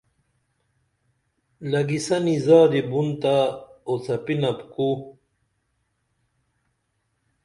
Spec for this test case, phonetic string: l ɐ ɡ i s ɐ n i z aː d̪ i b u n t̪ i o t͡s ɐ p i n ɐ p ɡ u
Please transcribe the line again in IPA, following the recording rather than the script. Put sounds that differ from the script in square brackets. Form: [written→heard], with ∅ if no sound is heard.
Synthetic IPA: l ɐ ɡ i s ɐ n i z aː d̪ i b u n t̪ [i→a] o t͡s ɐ p i n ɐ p [ɡ→k] u